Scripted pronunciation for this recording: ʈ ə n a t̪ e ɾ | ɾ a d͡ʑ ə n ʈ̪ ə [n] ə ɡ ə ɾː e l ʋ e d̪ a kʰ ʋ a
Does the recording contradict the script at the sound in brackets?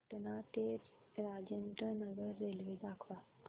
no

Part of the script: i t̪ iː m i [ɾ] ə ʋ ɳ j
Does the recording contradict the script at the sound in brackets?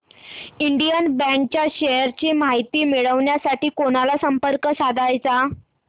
yes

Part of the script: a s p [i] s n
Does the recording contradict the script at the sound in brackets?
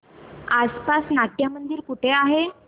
yes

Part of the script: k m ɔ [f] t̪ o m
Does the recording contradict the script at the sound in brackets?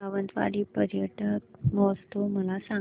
yes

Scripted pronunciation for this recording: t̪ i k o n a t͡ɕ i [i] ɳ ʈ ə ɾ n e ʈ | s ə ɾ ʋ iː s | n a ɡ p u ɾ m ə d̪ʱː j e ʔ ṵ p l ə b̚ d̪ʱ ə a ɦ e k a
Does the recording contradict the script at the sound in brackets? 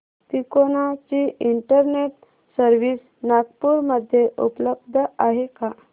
no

